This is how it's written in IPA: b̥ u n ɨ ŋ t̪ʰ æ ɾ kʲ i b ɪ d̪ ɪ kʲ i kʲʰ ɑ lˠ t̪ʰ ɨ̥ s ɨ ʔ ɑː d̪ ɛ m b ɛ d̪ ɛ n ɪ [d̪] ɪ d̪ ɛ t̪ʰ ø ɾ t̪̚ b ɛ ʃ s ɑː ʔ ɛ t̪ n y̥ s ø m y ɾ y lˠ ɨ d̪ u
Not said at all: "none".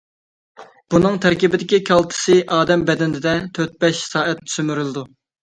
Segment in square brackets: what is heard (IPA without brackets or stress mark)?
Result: d̪